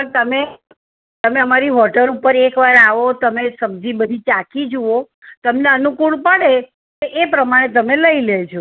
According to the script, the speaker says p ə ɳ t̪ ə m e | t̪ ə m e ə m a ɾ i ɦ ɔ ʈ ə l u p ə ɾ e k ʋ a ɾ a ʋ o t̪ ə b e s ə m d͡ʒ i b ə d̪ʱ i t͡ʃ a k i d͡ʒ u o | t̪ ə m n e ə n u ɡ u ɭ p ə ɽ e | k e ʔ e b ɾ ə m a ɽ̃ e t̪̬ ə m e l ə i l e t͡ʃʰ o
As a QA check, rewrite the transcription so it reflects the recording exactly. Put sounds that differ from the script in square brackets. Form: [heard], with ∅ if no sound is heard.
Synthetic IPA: p ə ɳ t̪ ə m e | t̪ ə m e ə m a ɾ i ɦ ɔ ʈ ə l u p ə ɾ e k ʋ a ɾ a ʋ o t̪ ə [m] e s ə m d͡ʒ i b ə d̪ʱ i t͡ʃ a k i d͡ʒ u o | t̪ ə m n e ə n u [k] u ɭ p ə ɽ e | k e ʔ e [p] ɾ ə m a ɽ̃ e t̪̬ ə m e l ə i l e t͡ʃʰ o